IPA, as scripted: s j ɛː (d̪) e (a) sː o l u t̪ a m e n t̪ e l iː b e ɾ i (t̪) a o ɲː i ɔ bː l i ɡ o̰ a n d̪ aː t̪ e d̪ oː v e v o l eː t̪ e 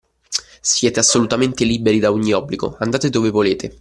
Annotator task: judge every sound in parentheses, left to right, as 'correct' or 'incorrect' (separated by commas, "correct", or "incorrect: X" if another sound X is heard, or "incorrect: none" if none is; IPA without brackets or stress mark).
incorrect: t̪, correct, incorrect: d̪